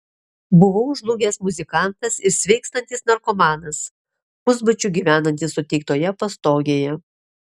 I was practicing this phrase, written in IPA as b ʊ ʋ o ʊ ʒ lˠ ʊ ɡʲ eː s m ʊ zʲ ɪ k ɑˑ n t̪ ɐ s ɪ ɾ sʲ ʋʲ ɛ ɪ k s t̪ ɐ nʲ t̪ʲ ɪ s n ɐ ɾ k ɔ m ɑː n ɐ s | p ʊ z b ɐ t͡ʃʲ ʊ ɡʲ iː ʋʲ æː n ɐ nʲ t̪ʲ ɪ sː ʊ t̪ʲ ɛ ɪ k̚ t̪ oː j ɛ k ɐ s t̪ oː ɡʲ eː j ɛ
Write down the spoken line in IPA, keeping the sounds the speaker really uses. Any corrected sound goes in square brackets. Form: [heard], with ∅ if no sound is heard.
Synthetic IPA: b ʊ ʋ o ʊ ʒ lˠ ʊ ɡʲ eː s m ʊ zʲ ɪ k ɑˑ n t̪ ɐ s ɪ ɾ sʲ ʋʲ ɛ ɪ k s t̪ ɐ nʲ t̪ʲ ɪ s n ɐ ɾ k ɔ m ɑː n ɐ s | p ʊ z b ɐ t͡ʃʲ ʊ ɡʲ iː ʋʲ æː n ɐ nʲ t̪ʲ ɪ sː ʊ t̪ʲ ɛ ɪ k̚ t̪ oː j ɛ [p] ɐ s t̪ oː ɡʲ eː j ɛ

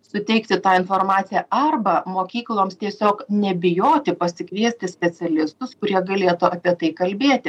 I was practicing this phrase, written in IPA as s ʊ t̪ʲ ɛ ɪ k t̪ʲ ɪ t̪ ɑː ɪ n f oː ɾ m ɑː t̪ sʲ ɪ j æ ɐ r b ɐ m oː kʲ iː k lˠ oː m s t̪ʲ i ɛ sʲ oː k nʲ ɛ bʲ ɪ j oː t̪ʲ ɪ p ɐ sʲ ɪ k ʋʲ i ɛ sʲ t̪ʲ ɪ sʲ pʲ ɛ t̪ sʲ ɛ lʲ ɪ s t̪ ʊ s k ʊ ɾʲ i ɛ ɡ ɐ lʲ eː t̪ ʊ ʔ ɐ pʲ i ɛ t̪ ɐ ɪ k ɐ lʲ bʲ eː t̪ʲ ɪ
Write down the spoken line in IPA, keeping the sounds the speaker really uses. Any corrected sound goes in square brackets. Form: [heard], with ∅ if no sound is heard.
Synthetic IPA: s ʊ t̪ʲ ɛ ɪ k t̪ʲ ɪ t̪ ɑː ɪ n f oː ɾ m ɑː t̪ sʲ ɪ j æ ɐ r b ɐ m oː kʲ iː k lˠ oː m s t̪ʲ i ɛ sʲ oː k nʲ ɛ bʲ ɪ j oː t̪ʲ ɪ p ɐ sʲ ɪ k ʋʲ i ɛ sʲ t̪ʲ ɪ sʲ pʲ ɛ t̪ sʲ ɛ lʲ ɪ s t̪ ʊ s k ʊ ɾʲ i ɛ ɡ ɐ lʲ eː t̪ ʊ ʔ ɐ pʲ i ɛ t̪ ɐ ɪ k ɐ lʲ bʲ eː t̪ʲ ɪ

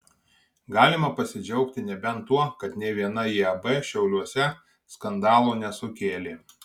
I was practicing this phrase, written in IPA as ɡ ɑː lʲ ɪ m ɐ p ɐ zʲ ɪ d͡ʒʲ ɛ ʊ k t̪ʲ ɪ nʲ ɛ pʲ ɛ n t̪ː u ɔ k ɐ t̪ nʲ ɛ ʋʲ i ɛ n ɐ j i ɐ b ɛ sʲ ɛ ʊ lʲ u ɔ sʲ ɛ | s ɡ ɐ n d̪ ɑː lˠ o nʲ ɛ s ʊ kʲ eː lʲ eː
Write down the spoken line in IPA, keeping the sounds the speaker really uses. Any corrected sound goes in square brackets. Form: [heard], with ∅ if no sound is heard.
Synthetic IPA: ɡ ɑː lʲ ɪ m ɐ p ɐ [sʲ] ɪ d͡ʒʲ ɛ ʊ k t̪ʲ ɪ nʲ ɛ [bʲ] ɛ n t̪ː u ɔ k ɐ t̪ nʲ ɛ ʋʲ i ɛ n ɐ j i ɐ b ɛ [ʃʲ] ɛ ʊ lʲ u ɔ sʲ ɛ | s [k] ɐ n d̪ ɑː lˠ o nʲ ɛ s ʊ kʲ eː lʲ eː

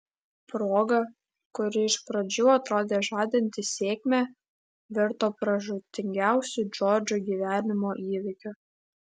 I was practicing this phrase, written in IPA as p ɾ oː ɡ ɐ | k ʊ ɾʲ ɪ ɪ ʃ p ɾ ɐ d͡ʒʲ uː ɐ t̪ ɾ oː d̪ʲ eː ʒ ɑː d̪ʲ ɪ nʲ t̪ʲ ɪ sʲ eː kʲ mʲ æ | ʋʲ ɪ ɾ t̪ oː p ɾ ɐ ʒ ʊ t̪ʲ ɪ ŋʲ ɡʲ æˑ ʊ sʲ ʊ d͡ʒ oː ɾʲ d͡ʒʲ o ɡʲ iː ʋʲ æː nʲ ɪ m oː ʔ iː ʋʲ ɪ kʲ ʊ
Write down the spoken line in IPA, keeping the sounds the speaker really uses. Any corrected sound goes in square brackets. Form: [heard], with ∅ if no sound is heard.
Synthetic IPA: p ɾ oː ɡ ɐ | k ʊ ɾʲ ɪ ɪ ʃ p ɾ ɐ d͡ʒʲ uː ɐ t̪ ɾ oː d̪ʲ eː ʒ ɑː d̪ʲ ɪ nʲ t̪ʲ ɪ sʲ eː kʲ mʲ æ | ʋʲ ɪ ɾ t̪ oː p ɾ ɐ ʒ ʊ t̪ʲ ɪ ŋʲ ɡʲ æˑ ʊ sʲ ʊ d͡ʒ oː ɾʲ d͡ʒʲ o ɡʲ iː ʋʲ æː nʲ ɪ m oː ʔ iː ʋʲ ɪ kʲ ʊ

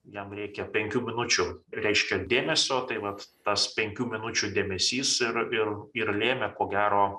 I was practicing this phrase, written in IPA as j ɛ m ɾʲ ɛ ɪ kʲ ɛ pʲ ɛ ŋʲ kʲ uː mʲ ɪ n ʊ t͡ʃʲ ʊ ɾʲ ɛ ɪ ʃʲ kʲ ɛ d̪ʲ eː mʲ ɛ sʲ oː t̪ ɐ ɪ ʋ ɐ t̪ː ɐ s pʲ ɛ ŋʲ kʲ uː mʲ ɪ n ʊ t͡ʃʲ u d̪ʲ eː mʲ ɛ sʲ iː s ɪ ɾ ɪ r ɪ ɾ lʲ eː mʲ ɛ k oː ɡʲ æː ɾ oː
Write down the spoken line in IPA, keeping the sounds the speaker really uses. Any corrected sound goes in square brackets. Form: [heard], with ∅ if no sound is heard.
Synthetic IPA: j ɛ m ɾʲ ɛ ɪ kʲ ɛ pʲ ɛ ŋʲ kʲ uː mʲ ɪ n ʊ t͡ʃʲ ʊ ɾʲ ɛ ɪ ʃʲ kʲ ɛ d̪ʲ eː mʲ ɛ sʲ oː t̪ ɐ ɪ ʋ ɐ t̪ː ɐ s pʲ ɛ ŋʲ kʲ uː mʲ ɪ n ʊ t͡ʃʲ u d̪ʲ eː mʲ ɛ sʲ iː s ɪ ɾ ɪ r ɪ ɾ lʲ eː mʲ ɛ k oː ɡʲ æː ɾ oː

